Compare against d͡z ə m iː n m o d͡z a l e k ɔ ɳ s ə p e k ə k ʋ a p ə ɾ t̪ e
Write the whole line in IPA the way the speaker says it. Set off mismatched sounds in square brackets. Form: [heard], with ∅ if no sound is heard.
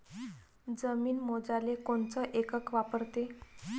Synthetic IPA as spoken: d͡z ə m iː n m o d͡z a l e k [o] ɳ [t͡s] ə [ʔ] e k ə k ʋ a p ə ɾ t̪ e